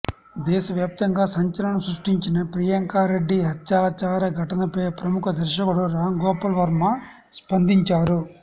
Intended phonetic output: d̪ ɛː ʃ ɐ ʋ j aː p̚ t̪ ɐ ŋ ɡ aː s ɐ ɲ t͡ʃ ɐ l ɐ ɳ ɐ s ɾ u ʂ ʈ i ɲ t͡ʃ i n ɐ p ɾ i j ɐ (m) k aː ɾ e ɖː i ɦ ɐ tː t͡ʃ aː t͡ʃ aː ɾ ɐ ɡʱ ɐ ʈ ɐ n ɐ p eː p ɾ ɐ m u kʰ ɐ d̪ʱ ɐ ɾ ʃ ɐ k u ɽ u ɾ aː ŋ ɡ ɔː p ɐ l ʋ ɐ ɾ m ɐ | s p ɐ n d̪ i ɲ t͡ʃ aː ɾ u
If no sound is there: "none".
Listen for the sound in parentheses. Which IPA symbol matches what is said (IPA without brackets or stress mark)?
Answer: ŋ